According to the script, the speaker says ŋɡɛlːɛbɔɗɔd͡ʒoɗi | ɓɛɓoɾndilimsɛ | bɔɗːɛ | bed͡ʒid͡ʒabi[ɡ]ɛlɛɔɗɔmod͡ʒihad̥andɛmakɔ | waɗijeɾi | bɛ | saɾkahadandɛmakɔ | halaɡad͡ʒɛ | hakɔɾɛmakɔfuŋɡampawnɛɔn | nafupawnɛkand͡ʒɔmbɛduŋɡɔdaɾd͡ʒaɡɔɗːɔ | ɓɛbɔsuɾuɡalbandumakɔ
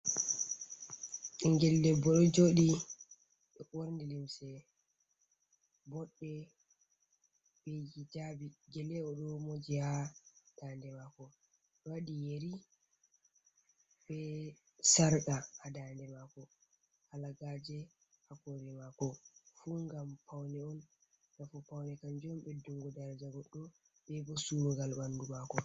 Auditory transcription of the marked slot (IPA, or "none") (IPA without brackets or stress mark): ɡ